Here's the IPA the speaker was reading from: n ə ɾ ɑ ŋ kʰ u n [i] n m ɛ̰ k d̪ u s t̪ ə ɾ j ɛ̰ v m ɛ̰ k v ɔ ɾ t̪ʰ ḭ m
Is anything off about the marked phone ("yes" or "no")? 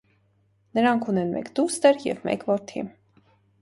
yes